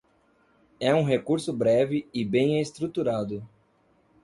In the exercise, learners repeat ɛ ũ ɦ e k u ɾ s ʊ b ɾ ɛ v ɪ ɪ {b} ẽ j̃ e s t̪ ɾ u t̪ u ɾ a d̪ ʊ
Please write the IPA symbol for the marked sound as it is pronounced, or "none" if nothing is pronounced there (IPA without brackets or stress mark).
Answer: b